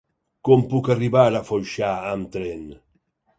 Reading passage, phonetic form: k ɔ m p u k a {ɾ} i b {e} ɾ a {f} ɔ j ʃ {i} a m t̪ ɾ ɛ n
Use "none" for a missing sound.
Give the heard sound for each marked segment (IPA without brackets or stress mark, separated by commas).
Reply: r, a, f, a